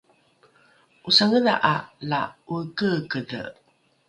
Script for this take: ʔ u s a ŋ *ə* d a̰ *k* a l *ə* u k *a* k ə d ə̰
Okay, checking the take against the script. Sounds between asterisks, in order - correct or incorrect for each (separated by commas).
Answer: correct, incorrect, incorrect, incorrect